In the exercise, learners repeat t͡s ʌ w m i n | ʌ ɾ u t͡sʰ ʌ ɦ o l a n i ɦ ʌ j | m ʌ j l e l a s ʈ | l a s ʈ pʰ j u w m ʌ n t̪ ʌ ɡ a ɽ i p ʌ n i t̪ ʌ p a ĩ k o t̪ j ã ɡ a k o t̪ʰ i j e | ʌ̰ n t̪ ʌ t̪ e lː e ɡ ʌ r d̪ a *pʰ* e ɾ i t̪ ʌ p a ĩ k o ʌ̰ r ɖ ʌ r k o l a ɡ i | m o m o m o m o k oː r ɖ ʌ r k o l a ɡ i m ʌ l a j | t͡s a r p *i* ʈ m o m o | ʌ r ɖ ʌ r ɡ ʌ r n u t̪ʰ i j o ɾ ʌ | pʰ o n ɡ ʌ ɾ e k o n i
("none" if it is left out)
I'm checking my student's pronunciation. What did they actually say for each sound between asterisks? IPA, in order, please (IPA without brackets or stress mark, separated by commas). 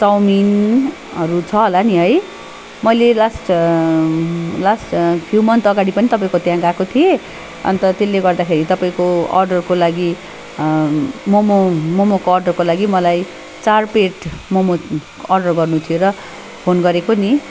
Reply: kʰ, e